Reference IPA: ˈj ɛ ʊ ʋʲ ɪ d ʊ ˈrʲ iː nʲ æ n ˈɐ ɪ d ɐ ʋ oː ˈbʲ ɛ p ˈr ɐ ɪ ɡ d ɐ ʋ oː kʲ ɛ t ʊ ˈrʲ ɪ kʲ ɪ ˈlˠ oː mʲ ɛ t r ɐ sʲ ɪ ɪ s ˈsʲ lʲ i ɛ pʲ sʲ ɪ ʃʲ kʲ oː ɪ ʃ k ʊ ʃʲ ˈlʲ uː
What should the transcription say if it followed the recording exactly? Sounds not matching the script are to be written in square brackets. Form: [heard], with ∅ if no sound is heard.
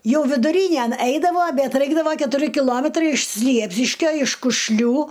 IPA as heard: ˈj ɛ ʊ ʋʲ ɪ d ʊ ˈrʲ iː nʲ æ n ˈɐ ɪ d ɐ ʋ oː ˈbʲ ɛ [t] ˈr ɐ ɪ ɡ d ɐ ʋ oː kʲ ɛ t ʊ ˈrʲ ɪ kʲ ɪ ˈlˠ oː mʲ ɛ t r ɐ [∅] ɪ ɪ [ʃ] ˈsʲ lʲ i ɛ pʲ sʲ ɪ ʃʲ kʲ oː ɪ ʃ k ʊ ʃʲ ˈlʲ uː